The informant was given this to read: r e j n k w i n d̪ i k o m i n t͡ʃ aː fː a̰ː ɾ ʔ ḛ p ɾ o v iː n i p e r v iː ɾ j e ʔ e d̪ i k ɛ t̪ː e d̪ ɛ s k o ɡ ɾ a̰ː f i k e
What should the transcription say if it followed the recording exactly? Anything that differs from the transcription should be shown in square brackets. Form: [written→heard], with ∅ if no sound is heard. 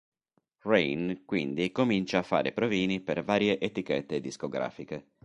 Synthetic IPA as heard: r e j n k w i n d̪ i k o m i n t͡ʃ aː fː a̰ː ɾ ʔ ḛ p ɾ o v iː n i p e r v [iː→aː] ɾ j e ʔ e [d̪→t̪] i k ɛ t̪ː e d̪ [ɛ→i] s k o ɡ ɾ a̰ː f i k e

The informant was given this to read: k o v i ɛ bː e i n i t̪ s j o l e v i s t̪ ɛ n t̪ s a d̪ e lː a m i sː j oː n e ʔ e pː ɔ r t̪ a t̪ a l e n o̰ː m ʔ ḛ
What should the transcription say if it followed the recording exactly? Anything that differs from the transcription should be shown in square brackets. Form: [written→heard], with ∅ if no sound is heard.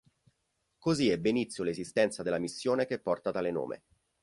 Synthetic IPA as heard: k o [v→z] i ɛ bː e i n i t̪ s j o l e [v→z] i s t̪ ɛ n t̪ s a d̪ e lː a m i sː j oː n e [ʔ→k] e pː ɔ r t̪ a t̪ a l e n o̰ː m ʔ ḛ

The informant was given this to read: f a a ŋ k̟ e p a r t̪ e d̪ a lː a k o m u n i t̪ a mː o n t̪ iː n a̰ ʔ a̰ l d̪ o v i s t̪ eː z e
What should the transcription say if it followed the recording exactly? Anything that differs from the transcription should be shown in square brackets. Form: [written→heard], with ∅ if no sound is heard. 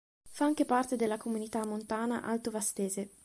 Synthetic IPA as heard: f a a ŋ k̟ e p a r t̪ e d̪ [a→e] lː a k o m u n i t̪ a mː o n t̪ [iː→aː] n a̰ ʔ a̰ l [d̪→t̪] o v [i→a] s t̪ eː z e

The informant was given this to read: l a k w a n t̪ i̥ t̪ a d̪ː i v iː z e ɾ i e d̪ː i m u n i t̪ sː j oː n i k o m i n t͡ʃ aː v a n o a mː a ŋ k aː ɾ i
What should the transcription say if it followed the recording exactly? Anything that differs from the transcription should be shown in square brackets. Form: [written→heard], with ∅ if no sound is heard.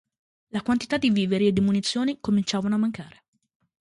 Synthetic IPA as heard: l a k w a n t̪ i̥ t̪ a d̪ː i v iː [z→v] e ɾ i e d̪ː i m u n i t̪ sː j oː n i k o m i n t͡ʃ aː v a n o a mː a ŋ k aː ɾ [i→e]

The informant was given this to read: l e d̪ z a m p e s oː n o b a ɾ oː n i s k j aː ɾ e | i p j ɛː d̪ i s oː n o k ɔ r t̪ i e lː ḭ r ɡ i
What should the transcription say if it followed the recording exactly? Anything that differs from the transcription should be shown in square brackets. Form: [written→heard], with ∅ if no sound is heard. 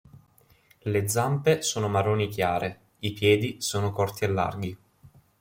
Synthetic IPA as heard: l e d̪ z a m p e s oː n o [b→m] a ɾ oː n i [s→∅] k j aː ɾ e | i p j ɛː d̪ i s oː n o k ɔ r t̪ i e lː [ḭ→a̰] r ɡ i

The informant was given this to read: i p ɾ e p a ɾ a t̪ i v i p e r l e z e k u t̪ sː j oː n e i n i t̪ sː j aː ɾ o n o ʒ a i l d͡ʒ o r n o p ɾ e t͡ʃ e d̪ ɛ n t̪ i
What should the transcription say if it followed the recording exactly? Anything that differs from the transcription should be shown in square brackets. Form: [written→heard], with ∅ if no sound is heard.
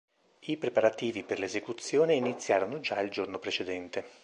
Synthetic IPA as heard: i p ɾ e p a ɾ a t̪ [i→iː] v i p e r l e z e k u t̪ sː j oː n e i n i t̪ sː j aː ɾ o n o [ʒ→d͡ʒ] a i l d͡ʒ o r n o p ɾ e t͡ʃ e d̪ ɛ n t̪ [i→e]

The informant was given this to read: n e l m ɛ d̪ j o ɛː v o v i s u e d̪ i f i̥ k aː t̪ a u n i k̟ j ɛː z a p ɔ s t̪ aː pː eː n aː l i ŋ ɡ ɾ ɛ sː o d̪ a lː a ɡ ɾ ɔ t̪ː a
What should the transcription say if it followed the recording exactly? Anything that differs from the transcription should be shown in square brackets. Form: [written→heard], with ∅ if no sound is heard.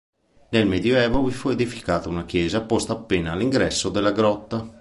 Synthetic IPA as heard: n e l m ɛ d̪ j o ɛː v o v i [s→f] u e d̪ i f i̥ k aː t̪ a u n [i→a] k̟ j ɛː z a p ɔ s t̪ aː pː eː n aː l i ŋ ɡ ɾ ɛ sː o d̪ [a→e] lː a ɡ ɾ ɔ t̪ː a

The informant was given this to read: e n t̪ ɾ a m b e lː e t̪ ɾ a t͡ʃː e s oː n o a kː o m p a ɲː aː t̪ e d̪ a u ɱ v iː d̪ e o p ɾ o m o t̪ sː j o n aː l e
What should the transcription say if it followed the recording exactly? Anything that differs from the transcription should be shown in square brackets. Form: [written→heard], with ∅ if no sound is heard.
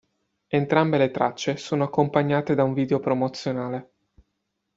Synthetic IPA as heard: e n t̪ ɾ a m b e [lː→l] e t̪ ɾ a t͡ʃː e s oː n o a kː o m p a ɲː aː t̪ e d̪ a u ɱ v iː d̪ e o p ɾ o m o t̪ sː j o n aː l e

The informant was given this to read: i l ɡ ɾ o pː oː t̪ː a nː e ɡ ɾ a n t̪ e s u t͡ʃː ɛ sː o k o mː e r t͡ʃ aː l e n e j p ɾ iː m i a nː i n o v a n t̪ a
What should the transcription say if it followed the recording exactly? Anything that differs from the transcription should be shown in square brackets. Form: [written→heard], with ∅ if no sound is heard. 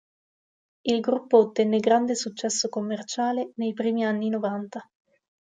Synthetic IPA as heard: i l ɡ ɾ [o→u] pː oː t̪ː [a→ɛ] nː e ɡ ɾ a n [t̪→d̪] e s u t͡ʃː ɛ sː o k o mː e r t͡ʃ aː l e n e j p ɾ iː m i a nː i n o v a n t̪ a

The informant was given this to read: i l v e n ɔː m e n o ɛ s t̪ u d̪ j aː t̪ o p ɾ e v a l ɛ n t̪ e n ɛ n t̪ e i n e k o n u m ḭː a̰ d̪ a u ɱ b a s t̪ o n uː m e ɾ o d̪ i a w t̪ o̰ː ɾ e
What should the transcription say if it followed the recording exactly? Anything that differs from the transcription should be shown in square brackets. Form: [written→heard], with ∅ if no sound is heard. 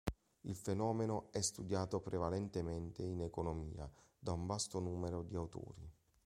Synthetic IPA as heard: i l [v→f] e n ɔː m e n o ɛ s t̪ u d̪ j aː t̪ o p ɾ e v a l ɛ n t̪ e [n→m] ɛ n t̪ e i n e k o n [u→o] m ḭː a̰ d̪ a u ɱ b a s t̪ o n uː m e ɾ o d̪ i a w t̪ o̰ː ɾ [e→i]

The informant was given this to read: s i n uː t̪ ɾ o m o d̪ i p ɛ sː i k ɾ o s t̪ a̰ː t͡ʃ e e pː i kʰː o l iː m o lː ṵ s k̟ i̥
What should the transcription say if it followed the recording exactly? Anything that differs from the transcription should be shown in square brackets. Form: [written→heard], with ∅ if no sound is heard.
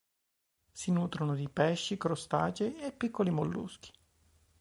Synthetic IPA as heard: s i n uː t̪ ɾ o [m→n] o d̪ i p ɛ [sː→ʃː] i k ɾ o s t̪ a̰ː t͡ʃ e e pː i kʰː o l [iː→i] m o lː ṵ s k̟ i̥

